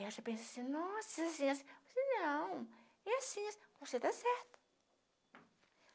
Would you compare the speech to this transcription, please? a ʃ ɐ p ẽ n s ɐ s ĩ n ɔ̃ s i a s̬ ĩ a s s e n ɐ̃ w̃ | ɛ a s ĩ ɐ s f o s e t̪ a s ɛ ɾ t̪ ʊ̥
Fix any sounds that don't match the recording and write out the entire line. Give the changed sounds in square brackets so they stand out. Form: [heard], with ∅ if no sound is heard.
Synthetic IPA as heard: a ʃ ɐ p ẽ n s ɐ s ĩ n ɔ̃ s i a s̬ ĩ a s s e n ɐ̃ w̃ | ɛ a s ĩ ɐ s [v] o s e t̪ a s ɛ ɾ t̪ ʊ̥